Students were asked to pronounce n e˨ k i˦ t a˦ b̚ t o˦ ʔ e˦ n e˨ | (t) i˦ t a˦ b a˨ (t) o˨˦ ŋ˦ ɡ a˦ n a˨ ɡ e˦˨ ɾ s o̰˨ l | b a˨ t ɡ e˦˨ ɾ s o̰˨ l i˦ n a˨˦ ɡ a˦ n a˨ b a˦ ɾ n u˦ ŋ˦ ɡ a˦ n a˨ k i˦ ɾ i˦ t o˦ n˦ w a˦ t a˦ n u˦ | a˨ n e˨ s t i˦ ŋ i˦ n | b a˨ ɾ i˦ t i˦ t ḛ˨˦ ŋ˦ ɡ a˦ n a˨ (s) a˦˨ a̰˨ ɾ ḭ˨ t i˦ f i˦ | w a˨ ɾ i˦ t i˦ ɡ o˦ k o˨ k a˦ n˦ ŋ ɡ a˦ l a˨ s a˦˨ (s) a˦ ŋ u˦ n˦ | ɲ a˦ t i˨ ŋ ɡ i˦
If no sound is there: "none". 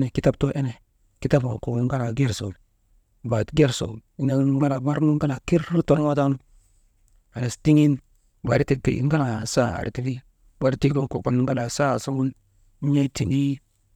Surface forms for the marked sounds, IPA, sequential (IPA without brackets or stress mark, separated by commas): k, k, s, s